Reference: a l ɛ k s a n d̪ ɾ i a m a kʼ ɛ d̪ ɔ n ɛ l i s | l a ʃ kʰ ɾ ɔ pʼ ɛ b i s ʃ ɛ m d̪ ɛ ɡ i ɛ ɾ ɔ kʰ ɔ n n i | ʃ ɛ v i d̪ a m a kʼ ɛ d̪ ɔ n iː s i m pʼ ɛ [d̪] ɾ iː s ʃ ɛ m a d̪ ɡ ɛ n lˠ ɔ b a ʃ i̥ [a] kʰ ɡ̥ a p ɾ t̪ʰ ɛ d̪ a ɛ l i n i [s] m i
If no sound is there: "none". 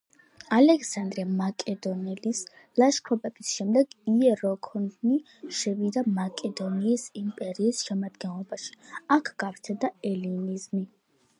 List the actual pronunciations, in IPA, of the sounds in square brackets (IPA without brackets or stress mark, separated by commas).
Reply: none, a, z